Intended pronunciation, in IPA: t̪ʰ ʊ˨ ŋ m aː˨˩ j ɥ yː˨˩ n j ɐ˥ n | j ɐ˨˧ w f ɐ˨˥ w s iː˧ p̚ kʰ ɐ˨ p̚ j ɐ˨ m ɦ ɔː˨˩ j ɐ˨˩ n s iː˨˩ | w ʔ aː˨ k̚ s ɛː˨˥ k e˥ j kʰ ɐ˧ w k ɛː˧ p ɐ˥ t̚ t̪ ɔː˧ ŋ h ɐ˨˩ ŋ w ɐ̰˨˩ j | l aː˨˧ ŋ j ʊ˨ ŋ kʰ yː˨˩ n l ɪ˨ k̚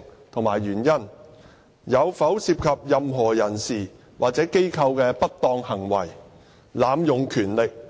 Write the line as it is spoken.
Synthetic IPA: t̪ʰ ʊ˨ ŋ m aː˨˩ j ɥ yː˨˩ n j ɐ˥ n | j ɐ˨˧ w f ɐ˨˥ w s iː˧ p̚ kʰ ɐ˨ p̚ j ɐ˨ m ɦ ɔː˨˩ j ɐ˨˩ n s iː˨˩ | w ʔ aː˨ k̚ t͡s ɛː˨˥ k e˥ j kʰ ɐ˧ w k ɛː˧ p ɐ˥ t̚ t̪ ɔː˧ ŋ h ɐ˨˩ ŋ w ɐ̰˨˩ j | l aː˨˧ m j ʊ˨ ŋ kʰ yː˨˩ n l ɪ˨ k̚